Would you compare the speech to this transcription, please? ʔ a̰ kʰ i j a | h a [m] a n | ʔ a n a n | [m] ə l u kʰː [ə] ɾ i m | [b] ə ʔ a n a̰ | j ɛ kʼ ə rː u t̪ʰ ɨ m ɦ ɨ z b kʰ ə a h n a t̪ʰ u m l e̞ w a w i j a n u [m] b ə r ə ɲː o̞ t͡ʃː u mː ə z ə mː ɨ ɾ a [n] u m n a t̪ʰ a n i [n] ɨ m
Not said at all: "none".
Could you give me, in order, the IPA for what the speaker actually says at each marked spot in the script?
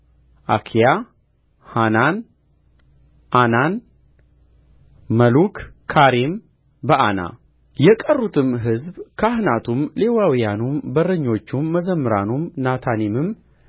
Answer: n, m, a, b, m, n, m

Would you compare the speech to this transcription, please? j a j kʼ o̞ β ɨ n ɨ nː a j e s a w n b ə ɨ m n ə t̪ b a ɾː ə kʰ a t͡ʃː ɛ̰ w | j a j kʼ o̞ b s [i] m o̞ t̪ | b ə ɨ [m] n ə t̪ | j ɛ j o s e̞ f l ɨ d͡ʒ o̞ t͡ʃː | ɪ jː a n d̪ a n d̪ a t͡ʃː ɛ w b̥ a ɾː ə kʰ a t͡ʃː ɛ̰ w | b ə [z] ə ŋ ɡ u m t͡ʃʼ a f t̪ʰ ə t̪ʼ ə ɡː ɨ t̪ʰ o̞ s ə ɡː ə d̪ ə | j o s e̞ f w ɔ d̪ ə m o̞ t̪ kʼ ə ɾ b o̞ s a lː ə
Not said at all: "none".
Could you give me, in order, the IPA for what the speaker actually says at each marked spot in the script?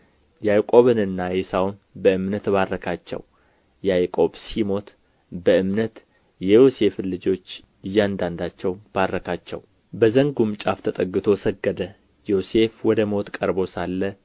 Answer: i, m, z

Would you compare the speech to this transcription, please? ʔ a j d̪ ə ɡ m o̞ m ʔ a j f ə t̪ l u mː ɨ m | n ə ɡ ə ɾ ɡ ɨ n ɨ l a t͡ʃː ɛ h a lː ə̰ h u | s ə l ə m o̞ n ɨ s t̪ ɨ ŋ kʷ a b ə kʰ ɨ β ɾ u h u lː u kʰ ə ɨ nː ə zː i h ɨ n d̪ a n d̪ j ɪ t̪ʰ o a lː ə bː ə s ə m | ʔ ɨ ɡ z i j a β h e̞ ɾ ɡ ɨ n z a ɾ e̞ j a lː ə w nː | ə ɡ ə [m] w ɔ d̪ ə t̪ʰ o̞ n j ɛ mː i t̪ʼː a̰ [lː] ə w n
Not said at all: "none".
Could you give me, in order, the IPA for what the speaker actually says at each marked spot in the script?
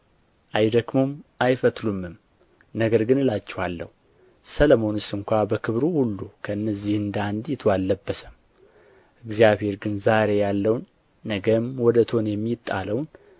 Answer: m, l

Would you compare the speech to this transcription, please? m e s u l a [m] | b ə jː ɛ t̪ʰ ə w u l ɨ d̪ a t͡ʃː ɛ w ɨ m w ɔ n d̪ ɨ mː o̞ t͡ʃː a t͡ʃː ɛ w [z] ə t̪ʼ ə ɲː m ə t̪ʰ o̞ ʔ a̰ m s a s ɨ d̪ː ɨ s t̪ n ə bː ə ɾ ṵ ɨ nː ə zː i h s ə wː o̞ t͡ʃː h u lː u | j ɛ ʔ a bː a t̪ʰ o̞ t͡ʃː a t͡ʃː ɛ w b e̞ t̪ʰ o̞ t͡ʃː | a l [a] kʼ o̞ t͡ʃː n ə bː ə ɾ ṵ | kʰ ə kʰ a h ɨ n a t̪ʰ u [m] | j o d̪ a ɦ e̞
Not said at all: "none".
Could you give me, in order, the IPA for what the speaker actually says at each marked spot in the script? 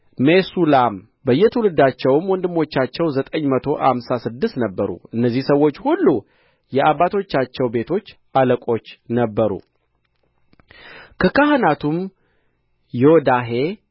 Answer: m, z, ə, m

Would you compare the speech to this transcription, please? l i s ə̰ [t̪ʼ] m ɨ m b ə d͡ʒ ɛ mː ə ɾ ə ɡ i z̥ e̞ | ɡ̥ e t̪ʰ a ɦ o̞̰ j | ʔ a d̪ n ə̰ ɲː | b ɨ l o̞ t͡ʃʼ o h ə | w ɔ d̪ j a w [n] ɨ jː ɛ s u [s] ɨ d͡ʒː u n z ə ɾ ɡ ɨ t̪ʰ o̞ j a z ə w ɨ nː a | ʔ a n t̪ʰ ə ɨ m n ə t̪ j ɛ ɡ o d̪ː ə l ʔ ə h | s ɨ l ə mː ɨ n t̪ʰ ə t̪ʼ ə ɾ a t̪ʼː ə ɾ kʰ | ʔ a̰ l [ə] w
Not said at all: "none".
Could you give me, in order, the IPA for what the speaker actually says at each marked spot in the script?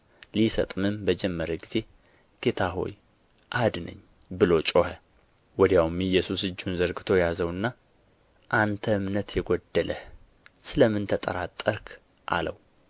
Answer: t̪ʼ, m, s, ə

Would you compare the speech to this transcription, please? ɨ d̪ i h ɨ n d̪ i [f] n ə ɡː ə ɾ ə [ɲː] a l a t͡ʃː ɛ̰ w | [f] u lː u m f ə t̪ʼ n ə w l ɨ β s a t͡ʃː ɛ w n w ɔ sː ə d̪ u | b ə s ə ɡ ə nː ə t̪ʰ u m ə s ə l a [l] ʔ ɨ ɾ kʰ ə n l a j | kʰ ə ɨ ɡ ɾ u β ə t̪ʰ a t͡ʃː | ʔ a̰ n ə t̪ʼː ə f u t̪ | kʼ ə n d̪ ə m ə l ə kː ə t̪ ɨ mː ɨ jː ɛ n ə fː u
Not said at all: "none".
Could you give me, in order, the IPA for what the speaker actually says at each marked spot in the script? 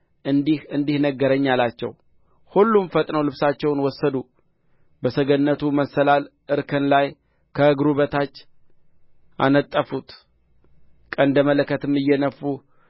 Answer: h, ɲː, h, l

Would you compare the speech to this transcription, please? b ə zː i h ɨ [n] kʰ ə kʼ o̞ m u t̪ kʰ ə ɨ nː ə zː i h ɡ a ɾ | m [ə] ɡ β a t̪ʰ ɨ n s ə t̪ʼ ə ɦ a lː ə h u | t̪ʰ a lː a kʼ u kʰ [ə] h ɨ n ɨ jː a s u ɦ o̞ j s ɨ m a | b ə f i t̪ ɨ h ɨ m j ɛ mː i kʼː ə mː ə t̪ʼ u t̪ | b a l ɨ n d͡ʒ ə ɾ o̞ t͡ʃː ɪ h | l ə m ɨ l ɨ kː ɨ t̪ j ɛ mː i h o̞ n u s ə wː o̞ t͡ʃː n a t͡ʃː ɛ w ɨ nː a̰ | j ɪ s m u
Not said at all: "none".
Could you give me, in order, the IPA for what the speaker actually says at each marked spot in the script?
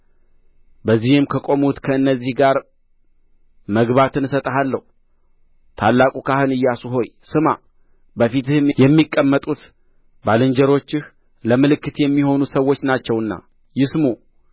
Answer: m, ə, a

